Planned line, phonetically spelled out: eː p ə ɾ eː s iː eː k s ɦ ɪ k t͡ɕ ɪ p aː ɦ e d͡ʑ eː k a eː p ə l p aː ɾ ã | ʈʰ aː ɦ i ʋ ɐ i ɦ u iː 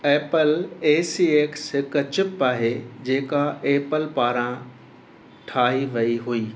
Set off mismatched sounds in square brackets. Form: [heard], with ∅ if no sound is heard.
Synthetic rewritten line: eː p ə [l] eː s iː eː k s ɦ ɪ k t͡ɕ ɪ p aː ɦ e d͡ʑ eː k a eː p ə l p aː ɾ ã | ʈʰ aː ɦ i ʋ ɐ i ɦ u iː